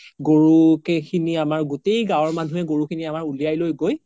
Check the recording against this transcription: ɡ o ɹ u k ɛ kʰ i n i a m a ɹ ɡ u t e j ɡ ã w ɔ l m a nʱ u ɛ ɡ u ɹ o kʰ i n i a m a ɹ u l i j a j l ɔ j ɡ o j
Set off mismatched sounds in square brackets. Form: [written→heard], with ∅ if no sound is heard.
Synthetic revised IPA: ɡ o ɹ u k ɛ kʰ i n i a m a ɹ ɡ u t e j ɡ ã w ɔ [l→ɹ] m a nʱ u ɛ ɡ [u→o] ɹ [o→u] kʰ i n i a m a ɹ u l i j a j l [ɔ→o] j ɡ o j